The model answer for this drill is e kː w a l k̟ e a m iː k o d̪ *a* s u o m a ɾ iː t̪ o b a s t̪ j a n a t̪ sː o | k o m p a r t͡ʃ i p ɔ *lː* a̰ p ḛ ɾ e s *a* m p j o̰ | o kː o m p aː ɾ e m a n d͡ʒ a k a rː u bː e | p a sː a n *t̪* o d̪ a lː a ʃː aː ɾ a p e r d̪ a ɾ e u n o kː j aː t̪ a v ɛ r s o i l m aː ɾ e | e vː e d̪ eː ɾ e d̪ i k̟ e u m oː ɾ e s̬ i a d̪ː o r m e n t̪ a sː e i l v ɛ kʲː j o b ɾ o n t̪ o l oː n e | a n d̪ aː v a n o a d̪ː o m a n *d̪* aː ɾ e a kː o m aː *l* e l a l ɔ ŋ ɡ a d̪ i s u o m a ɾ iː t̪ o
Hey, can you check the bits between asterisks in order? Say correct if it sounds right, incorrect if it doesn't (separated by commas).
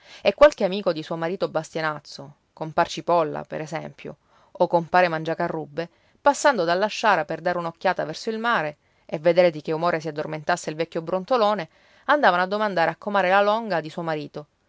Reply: incorrect, correct, incorrect, incorrect, correct, incorrect